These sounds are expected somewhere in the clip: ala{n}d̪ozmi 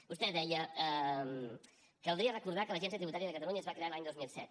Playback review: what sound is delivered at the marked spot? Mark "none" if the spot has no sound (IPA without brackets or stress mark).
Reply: ɲ